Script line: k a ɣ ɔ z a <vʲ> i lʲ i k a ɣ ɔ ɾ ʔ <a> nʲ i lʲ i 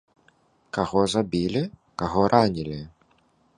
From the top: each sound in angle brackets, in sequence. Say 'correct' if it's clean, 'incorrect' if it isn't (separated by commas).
incorrect, correct